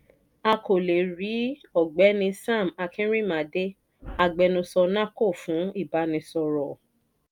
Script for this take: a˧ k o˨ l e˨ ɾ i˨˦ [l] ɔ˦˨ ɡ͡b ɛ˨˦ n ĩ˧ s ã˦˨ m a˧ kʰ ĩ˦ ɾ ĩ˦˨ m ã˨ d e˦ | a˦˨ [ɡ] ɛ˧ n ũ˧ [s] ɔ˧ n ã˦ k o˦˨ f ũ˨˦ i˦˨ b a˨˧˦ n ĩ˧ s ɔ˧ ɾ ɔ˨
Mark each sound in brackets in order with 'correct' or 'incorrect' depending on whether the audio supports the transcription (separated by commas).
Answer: incorrect, incorrect, correct